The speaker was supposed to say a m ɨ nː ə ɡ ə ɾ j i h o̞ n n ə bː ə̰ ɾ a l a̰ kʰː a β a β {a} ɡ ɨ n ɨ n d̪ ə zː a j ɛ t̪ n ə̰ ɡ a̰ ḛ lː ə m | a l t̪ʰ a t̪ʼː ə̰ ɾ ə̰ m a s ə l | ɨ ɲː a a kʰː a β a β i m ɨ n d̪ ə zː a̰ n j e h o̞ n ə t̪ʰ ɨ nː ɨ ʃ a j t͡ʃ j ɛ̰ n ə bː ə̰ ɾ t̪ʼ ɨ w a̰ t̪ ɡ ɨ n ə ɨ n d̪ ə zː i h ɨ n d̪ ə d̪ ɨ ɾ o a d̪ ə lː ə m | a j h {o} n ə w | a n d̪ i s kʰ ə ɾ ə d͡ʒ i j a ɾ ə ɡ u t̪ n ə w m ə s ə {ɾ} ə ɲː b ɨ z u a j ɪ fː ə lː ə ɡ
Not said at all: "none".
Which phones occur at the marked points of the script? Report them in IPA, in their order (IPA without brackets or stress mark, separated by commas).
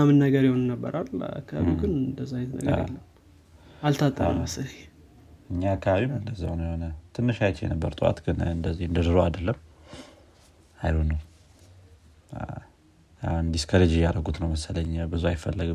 i, o, l